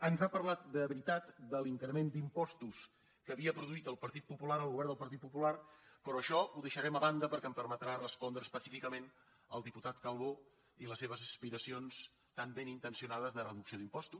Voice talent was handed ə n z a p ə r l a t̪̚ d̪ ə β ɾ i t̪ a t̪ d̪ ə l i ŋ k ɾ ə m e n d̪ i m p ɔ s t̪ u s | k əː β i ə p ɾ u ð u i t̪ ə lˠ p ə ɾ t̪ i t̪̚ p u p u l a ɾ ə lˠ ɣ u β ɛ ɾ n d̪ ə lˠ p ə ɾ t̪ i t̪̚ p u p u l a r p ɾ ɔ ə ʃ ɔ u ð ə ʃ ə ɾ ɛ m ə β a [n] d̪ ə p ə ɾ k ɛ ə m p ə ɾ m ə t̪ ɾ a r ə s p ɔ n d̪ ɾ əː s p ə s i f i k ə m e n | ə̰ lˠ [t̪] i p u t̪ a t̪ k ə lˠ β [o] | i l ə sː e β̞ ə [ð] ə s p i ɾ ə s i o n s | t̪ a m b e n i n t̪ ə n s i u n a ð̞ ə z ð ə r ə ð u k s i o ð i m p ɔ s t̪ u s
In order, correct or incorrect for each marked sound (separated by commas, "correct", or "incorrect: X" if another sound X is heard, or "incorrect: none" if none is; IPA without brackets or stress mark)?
correct, incorrect: d̪, correct, incorrect: z